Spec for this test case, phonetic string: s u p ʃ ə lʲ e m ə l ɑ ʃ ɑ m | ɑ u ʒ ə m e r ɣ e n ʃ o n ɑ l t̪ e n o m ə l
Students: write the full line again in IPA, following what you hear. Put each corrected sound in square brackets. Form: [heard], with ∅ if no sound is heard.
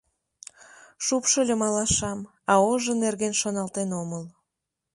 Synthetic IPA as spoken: [ʃ] u p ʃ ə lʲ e m [ɑ] l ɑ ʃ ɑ m | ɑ [o] ʒ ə [n] e r ɣ e n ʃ o n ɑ l t̪ e n o m ə l